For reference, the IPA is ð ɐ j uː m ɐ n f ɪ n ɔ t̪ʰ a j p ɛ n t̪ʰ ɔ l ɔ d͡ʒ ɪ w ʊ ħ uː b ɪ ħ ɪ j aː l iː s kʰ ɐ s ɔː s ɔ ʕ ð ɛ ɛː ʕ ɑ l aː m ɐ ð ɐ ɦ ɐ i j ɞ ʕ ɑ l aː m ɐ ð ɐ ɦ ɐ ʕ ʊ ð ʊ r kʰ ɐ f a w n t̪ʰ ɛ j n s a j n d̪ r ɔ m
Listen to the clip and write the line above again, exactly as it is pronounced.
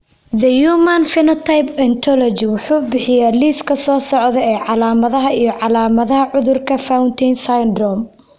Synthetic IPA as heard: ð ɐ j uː m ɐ n f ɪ n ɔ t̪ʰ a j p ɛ n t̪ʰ ɔ l ɔ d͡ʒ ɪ w ʊ ħ uː b ɪ ħ ɪ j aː l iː s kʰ ɐ s ɔː s ɔ ʕ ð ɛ ɛː ʕ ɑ l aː m ɐ ð ɐ ɦ ɐ i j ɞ ʕ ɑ l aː m ɐ ð ɐ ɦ ɐ ʕ ʊ ð ʊ r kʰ ɐ f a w n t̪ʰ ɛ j n s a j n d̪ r ɔ m